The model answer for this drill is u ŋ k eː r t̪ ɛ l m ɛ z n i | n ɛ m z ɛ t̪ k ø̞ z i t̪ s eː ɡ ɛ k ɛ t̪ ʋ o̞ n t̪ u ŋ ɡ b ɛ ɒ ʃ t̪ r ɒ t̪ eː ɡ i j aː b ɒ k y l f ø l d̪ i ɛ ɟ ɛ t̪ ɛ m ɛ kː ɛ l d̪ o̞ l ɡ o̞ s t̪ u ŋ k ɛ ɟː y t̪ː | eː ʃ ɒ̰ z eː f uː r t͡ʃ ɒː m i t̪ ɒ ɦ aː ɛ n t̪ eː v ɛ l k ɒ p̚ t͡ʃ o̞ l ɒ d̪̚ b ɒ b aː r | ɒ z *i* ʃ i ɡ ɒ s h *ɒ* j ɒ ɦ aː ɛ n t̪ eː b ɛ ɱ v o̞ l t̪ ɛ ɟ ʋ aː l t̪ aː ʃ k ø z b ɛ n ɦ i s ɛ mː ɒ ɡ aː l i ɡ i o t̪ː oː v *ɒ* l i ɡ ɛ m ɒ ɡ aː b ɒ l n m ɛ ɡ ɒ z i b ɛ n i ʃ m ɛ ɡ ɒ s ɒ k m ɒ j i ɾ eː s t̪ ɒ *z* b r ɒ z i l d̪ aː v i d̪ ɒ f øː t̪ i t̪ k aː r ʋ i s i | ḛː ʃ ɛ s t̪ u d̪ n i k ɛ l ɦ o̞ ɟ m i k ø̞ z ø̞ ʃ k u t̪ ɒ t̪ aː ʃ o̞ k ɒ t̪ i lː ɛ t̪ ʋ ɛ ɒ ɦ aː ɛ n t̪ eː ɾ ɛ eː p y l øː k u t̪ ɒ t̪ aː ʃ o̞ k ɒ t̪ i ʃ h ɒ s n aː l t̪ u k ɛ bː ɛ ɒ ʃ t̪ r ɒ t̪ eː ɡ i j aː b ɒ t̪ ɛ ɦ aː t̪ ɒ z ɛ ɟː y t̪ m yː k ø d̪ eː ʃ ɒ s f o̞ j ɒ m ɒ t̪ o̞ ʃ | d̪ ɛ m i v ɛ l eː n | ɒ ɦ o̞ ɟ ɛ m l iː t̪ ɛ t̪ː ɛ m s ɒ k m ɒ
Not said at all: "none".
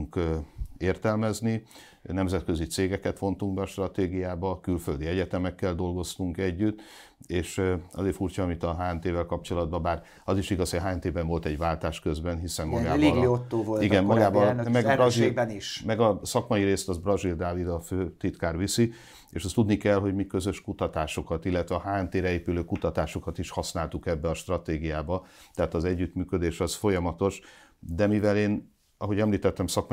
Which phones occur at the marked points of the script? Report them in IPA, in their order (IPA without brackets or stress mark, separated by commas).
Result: i, o, o, z